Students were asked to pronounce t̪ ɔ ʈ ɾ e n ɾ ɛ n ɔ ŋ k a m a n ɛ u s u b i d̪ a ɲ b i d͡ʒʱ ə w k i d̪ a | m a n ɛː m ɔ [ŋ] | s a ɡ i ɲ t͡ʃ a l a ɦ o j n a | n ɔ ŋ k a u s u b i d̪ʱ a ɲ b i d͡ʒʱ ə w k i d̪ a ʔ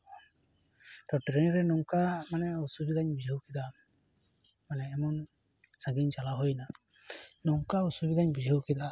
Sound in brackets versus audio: incorrect: n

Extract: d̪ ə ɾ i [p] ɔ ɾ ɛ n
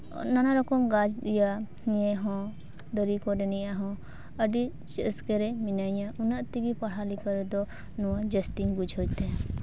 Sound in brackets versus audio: incorrect: k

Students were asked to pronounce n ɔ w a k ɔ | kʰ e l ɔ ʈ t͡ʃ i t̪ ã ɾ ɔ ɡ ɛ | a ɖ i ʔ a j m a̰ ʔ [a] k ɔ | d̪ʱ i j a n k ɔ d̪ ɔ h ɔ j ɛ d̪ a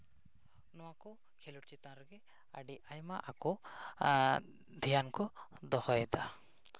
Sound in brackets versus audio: correct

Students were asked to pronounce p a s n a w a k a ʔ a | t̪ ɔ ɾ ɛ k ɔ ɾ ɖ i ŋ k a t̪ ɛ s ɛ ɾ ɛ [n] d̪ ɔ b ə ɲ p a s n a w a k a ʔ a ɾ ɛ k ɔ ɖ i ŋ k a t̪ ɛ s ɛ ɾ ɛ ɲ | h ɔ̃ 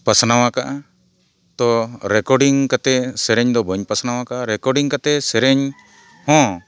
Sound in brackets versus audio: incorrect: ɲ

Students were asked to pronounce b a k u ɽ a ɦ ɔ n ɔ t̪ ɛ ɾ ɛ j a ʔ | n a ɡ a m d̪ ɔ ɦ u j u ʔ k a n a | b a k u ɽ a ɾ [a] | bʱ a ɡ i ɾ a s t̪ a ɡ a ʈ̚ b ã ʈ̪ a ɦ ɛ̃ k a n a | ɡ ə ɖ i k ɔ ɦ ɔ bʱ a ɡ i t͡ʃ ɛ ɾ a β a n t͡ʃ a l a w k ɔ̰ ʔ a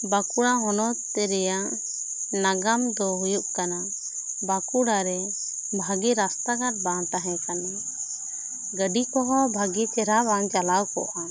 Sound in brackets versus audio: incorrect: ɛ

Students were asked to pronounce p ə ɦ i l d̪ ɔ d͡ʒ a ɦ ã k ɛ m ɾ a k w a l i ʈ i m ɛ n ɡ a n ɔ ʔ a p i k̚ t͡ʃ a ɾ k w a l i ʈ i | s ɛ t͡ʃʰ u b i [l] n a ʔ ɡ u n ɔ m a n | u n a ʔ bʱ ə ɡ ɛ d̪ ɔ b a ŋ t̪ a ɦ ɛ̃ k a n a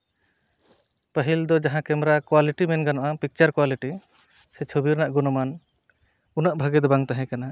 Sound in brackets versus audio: incorrect: ɾ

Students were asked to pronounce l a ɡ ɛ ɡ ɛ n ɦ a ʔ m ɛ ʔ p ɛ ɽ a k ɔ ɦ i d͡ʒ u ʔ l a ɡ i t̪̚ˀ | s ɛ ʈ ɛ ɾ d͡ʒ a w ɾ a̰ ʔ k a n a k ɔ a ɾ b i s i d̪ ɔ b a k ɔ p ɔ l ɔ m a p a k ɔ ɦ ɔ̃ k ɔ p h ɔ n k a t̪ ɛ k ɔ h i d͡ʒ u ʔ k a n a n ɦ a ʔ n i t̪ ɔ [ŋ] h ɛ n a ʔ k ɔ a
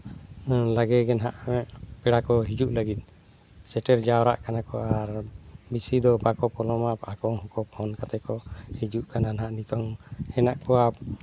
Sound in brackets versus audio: correct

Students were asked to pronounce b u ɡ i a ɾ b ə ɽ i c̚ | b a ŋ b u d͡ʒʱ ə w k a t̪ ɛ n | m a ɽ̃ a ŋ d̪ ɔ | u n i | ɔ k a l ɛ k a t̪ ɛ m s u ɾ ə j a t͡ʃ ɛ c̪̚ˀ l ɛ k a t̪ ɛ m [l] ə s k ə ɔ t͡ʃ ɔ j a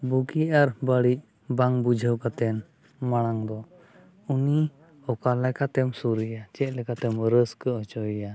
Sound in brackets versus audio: incorrect: ɾ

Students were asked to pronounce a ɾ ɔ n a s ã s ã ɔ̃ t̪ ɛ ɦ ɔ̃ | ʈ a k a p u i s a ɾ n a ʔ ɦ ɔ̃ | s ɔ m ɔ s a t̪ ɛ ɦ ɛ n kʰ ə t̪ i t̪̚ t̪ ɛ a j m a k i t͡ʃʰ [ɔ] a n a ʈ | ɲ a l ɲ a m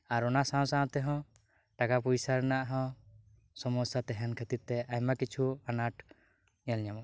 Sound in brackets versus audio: incorrect: u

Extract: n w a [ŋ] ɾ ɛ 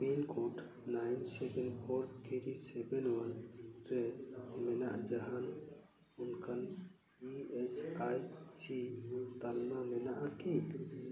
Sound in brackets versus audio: incorrect: n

